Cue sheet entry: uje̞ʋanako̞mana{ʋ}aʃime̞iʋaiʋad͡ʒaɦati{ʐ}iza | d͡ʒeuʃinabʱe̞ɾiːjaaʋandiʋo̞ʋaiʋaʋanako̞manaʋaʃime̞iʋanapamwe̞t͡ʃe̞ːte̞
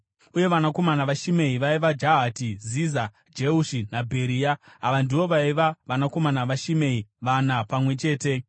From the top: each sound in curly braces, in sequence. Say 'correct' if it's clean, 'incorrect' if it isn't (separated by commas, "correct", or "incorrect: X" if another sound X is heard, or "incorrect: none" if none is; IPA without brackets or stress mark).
correct, incorrect: z